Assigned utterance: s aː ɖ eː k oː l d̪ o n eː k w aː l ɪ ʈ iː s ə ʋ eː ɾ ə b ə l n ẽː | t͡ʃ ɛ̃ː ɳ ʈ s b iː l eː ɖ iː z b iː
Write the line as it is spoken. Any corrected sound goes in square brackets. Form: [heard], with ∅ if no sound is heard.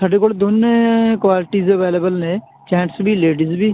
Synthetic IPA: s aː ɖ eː k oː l d̪ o n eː k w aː l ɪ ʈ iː [z] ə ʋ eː [l] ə b ə l n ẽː | t͡ʃ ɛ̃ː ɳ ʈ s b iː l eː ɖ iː z b iː